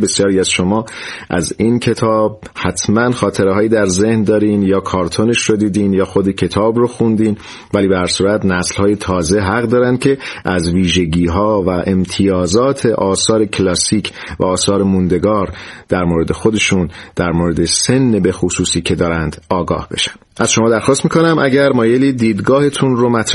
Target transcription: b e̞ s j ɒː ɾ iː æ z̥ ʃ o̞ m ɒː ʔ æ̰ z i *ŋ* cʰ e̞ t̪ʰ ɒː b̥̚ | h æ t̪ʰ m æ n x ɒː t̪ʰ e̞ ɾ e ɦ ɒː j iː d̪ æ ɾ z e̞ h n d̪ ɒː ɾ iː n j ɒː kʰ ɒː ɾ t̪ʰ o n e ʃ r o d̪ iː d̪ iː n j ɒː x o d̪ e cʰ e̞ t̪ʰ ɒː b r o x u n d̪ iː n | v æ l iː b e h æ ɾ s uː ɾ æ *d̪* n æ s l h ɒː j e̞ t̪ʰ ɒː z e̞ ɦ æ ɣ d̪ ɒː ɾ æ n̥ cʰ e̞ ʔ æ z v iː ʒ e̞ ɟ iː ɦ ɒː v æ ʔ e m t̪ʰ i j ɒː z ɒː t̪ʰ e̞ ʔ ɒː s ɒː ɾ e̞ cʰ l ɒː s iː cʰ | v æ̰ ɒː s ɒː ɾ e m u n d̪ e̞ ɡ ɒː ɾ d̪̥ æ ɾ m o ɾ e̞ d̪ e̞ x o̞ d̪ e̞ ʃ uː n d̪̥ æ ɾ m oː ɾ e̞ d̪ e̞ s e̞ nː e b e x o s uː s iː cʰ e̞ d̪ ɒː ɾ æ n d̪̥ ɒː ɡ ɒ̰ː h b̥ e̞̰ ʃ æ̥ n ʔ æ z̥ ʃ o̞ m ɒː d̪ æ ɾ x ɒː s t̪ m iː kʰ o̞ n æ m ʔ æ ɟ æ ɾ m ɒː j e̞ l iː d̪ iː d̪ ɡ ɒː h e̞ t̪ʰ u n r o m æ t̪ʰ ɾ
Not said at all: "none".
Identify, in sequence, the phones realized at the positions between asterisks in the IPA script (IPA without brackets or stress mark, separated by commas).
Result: n, t̪